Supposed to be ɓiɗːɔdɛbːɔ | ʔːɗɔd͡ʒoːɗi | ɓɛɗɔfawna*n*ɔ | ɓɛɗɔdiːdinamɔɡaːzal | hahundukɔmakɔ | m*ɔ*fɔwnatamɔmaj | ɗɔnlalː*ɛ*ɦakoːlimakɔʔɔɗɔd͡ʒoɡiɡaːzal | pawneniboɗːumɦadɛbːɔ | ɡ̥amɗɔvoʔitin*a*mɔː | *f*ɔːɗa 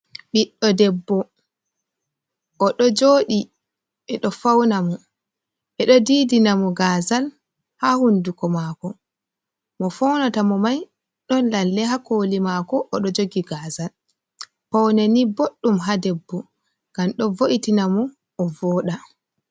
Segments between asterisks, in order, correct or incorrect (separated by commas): incorrect, correct, correct, correct, incorrect